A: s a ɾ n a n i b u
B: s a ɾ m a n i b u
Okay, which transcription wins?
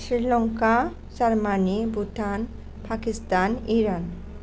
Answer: B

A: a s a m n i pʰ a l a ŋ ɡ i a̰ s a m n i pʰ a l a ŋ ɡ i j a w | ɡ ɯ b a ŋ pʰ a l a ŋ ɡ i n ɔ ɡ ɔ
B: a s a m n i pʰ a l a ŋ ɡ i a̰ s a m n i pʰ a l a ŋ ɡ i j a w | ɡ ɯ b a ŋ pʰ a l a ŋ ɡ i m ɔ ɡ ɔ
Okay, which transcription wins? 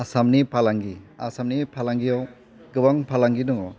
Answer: A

